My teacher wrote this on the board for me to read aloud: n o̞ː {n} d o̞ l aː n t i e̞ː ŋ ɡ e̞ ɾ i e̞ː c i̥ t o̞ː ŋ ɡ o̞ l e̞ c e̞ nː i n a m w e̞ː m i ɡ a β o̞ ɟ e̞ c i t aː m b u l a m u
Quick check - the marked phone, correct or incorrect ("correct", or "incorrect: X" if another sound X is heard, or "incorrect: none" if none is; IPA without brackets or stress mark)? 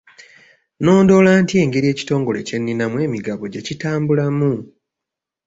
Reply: correct